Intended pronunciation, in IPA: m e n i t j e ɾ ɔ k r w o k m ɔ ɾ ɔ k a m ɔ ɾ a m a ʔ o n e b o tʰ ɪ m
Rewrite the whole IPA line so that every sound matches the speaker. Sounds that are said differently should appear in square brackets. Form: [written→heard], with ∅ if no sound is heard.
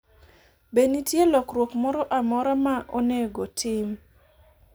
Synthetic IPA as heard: [m→b] e n i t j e [ɾ→l] ɔ k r w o k m ɔ ɾ ɔ [k→ʔ] a m ɔ ɾ a m a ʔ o n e [b→ɡ] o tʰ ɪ m